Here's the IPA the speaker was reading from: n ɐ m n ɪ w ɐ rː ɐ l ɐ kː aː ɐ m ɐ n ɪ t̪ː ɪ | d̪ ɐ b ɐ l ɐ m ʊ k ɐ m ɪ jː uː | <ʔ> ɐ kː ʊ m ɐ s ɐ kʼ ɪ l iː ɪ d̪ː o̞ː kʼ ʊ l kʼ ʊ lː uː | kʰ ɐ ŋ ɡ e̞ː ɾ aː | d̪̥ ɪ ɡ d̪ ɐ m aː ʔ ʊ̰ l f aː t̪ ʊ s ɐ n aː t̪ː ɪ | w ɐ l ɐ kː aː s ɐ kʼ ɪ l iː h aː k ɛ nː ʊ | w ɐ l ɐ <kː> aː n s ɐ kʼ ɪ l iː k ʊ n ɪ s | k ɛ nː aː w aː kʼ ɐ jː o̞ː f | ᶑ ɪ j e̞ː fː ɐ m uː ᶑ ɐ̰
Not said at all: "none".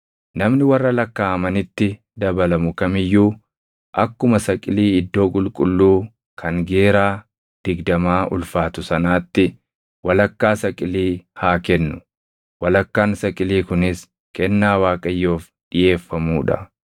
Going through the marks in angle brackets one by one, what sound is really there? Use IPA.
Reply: ʔ, kː

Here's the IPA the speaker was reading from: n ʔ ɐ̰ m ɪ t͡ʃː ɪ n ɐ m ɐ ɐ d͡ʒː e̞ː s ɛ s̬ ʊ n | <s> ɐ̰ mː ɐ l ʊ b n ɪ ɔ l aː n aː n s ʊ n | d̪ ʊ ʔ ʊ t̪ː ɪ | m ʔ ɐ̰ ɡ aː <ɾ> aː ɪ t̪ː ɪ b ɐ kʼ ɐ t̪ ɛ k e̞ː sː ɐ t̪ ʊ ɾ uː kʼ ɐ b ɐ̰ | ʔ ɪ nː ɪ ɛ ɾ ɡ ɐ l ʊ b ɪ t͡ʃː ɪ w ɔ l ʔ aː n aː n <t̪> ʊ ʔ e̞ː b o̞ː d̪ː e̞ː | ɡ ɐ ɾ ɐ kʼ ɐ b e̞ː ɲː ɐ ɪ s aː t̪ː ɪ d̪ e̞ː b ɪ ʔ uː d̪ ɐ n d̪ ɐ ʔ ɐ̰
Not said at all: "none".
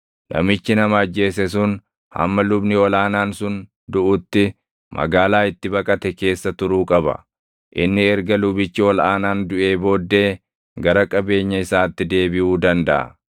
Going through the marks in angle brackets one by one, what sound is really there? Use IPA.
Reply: h, l, d̪

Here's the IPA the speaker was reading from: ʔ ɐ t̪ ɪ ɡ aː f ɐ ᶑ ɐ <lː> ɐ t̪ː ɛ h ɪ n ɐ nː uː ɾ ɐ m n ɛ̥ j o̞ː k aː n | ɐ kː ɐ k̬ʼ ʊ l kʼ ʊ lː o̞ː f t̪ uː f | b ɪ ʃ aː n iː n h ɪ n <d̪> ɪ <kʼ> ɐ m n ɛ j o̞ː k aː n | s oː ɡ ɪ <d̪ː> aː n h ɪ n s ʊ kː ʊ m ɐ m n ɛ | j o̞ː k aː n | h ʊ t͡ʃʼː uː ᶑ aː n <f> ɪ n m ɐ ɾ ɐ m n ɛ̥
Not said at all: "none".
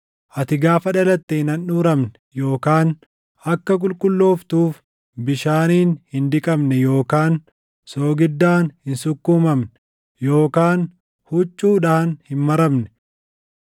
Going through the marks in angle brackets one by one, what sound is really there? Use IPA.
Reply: l, d̪, kʼ, d̪ː, h

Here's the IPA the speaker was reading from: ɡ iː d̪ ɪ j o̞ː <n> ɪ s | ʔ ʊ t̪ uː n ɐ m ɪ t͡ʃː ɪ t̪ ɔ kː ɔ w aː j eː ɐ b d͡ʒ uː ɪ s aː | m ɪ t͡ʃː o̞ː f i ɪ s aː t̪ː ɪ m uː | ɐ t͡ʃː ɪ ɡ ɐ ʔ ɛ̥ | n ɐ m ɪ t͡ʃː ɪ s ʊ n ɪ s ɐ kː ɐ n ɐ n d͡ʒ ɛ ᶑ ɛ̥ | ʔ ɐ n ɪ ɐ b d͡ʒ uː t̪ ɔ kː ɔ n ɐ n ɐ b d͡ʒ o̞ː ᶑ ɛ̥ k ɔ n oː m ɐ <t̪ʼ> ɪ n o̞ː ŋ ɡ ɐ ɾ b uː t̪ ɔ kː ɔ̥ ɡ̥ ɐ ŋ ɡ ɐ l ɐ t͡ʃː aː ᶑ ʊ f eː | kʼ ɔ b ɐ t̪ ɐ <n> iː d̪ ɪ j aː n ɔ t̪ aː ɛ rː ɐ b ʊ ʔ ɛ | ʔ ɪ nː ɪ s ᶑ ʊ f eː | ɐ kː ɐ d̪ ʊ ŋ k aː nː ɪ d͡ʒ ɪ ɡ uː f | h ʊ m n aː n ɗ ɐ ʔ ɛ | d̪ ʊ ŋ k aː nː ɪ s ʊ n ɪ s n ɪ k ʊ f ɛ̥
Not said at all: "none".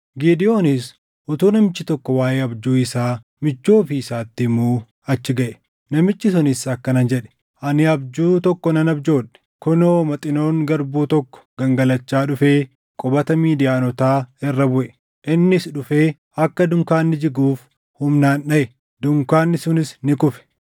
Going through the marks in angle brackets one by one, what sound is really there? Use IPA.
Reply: n, t̪ʼ, m

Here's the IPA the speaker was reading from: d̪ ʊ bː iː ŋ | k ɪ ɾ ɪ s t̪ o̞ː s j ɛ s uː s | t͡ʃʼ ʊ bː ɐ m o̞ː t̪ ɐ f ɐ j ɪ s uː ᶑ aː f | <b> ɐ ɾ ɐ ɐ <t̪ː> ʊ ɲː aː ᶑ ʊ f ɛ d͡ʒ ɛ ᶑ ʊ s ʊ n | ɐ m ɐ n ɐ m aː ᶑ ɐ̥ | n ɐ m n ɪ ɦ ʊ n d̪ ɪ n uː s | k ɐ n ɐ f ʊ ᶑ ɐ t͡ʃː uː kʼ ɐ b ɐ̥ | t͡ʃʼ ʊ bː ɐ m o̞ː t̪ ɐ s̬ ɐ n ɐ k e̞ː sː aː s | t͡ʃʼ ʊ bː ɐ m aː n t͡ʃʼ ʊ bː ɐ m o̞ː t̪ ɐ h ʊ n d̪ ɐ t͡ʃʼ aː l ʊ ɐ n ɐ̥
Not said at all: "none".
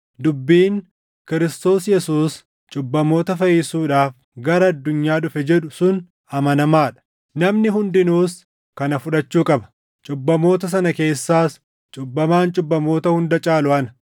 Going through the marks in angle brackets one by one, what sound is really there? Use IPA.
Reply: ɡ, d̪ː

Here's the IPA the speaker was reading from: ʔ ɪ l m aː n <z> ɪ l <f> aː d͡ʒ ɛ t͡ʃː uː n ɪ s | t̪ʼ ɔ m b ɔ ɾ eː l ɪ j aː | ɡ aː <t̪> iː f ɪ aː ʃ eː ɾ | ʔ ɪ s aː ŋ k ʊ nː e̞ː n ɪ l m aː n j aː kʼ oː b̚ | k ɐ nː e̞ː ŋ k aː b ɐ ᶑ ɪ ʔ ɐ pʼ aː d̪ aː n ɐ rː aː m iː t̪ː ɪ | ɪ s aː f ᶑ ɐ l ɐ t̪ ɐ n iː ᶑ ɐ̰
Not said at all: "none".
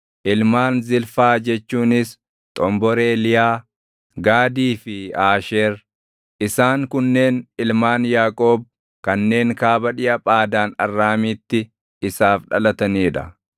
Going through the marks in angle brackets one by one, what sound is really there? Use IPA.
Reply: z, f, d̪

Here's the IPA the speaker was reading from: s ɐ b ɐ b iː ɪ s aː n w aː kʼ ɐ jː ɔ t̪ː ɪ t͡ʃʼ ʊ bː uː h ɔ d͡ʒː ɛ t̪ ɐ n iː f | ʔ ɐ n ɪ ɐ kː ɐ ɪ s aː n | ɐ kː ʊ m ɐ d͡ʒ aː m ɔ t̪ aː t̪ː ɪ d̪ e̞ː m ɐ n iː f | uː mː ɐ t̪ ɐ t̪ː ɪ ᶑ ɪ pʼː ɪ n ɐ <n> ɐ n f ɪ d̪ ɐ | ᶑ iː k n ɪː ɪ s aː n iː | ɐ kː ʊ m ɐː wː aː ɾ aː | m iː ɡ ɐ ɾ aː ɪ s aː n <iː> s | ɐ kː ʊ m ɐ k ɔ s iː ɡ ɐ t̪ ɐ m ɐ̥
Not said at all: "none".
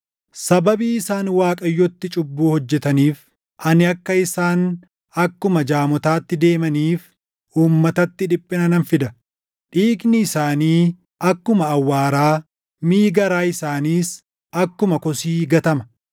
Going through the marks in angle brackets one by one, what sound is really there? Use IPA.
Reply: n, iː

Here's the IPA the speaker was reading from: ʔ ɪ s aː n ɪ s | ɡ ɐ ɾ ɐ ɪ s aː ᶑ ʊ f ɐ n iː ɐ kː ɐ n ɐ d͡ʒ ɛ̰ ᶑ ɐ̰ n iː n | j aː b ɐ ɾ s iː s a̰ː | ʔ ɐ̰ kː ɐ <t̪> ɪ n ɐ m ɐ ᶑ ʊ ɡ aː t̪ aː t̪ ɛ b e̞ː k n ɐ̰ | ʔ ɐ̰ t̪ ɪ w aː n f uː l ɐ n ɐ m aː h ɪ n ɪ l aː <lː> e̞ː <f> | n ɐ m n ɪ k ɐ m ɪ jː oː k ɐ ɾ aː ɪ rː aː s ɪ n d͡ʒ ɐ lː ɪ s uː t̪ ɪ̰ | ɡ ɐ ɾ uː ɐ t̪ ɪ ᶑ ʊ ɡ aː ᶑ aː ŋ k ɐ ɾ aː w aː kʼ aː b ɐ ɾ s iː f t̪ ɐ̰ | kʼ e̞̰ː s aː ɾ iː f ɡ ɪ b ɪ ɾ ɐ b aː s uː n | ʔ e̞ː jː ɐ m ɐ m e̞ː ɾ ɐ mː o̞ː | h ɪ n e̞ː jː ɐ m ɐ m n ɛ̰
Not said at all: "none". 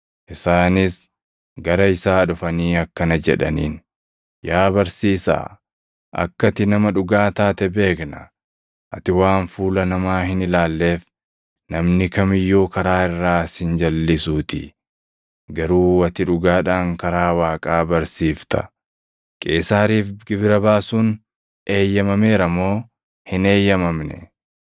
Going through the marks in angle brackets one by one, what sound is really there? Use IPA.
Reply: t̪, lː, f

